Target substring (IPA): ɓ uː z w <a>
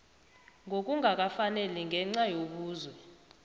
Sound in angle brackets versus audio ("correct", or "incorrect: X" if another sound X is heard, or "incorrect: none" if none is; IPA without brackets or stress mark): incorrect: ɛ